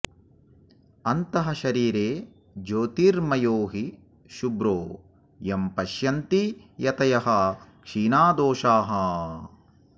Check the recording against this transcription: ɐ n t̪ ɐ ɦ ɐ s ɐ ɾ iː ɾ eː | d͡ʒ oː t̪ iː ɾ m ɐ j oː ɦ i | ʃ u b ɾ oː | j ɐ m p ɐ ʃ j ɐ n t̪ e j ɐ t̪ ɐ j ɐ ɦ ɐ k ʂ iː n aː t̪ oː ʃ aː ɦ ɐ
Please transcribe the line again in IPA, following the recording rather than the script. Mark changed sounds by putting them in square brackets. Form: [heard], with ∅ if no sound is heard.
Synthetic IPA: ɐ n t̪ ɐ ɦ ɐ [ʃ] ɐ ɾ iː ɾ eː | d͡ʒ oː t̪ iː ɾ m ɐ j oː ɦ i | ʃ u b ɾ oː | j ɐ m p ɐ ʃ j ɐ n t̪ [i] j ɐ t̪ ɐ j ɐ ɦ ɐ k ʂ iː n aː [d̪] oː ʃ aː ɦ ɐ